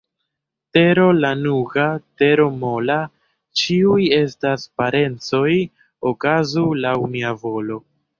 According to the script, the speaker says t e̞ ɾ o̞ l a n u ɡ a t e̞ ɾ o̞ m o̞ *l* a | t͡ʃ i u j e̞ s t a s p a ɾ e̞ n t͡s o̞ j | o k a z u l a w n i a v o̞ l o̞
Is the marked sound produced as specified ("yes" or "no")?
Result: yes